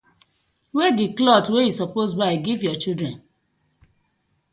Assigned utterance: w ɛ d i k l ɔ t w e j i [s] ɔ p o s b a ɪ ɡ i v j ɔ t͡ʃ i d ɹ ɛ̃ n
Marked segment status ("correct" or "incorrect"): correct